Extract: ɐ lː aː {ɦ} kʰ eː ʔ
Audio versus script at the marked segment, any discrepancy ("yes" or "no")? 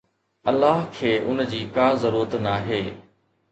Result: no